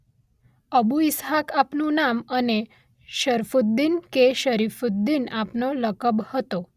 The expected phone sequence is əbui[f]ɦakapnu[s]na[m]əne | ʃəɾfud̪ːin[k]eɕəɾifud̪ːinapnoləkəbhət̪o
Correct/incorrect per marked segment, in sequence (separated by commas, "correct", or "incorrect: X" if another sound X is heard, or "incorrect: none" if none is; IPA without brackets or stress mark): incorrect: s, incorrect: none, correct, correct